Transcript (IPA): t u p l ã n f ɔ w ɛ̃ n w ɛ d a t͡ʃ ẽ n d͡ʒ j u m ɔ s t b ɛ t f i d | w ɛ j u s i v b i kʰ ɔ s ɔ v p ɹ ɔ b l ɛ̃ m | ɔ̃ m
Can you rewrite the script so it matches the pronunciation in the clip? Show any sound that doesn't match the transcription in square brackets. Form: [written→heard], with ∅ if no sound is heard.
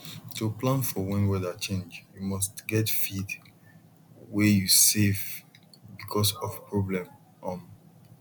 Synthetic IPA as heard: t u p l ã n f ɔ w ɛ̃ n w ɛ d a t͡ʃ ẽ n d͡ʒ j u m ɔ s t [b→ɡ] ɛ t f i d | w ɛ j u s [i→e] v b i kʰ ɔ s ɔ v p ɹ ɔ b l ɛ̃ m | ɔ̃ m